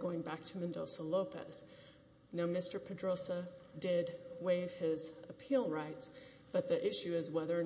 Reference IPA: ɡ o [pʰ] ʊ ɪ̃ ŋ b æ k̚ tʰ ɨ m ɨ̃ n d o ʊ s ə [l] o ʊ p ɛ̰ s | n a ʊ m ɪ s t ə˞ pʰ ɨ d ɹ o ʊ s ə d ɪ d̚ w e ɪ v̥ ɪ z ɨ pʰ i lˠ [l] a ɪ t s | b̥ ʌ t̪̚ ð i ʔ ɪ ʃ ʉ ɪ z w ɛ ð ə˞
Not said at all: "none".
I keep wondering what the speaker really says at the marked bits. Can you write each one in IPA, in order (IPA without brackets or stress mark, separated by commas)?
none, l, ɹ